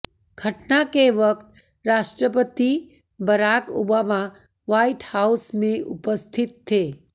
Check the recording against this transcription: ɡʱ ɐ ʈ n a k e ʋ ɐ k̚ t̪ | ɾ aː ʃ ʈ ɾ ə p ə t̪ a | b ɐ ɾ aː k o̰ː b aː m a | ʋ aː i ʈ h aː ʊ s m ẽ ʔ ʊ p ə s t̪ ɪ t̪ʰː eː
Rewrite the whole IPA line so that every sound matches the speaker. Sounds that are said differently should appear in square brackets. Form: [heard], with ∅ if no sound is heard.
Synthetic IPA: ɡʱ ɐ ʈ n a k e ʋ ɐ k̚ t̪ | ɾ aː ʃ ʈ ɾ ə p ə t̪ [i] | b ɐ ɾ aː k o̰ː b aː m a | ʋ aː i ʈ h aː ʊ s m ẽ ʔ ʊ p ə s [t̪ʰ] ɪ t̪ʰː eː